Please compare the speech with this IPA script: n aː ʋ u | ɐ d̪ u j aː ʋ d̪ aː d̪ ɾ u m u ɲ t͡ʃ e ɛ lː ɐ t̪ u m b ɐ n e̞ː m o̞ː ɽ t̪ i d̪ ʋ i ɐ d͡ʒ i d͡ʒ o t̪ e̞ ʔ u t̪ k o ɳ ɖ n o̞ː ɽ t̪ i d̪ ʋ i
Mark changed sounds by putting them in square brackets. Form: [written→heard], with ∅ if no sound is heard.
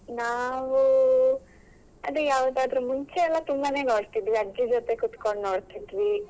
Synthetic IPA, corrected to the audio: n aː ʋ u | ɐ d̪ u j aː ʋ d̪ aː d̪ ɾ u m u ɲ t͡ʃ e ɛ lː ɐ t̪ u m b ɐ n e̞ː [m→n] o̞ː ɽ t̪ i d̪ ʋ i ɐ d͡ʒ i d͡ʒ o t̪ e̞ [ʔ→k] u t̪ k o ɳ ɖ n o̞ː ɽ t̪ i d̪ ʋ i